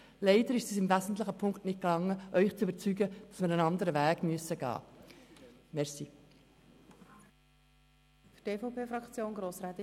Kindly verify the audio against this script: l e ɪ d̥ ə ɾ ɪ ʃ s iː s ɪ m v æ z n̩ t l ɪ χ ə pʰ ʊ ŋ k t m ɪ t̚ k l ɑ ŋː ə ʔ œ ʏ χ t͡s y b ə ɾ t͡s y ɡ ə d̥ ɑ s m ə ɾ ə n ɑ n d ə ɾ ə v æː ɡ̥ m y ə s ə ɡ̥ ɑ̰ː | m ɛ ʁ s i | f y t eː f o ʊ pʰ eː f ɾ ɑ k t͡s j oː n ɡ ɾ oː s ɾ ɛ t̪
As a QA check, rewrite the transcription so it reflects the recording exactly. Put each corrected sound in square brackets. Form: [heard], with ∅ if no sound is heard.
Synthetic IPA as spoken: l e ɪ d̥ ə ɾ ɪ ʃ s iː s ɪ m v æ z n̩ t l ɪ χ ə pʰ ʊ ŋ k t [n] ɪ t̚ k l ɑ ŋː ə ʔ œ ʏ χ t͡s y b ə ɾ t͡s y ɡ ə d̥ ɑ s m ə ɾ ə n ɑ n d ə ɾ ə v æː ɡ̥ m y ə s ə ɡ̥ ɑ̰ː | m ɛ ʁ s i | f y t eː f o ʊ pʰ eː f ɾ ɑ k t͡s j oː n ɡ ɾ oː s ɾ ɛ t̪